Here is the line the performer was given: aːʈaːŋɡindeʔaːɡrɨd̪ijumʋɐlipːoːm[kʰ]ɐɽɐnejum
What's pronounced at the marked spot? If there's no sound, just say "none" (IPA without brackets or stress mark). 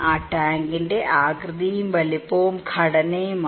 kʰ